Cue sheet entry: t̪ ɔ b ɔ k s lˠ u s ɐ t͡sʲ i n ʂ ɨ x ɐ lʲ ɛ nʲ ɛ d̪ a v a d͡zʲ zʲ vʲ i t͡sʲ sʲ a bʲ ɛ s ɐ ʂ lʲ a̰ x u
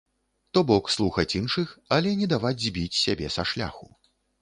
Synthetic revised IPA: t̪ ɔ b ɔ k s lˠ u x ɐ t͡sʲ i n ʂ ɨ x ɐ lʲ ɛ nʲ ɛ d̪ a v a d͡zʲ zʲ bʲ i t͡sʲ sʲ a bʲ ɛ s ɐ ʂ lʲ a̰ x u